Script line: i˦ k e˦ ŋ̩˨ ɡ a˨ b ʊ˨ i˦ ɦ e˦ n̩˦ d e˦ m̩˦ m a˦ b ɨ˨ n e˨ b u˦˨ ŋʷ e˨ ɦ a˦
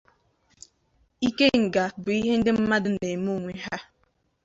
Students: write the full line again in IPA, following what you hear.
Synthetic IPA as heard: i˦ k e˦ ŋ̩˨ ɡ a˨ b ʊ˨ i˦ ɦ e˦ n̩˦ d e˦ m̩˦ m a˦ d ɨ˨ n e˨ m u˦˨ ŋʷ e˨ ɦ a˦